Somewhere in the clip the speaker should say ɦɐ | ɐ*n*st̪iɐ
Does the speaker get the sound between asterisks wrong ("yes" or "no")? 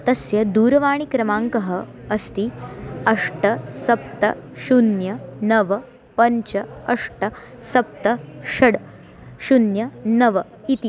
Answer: yes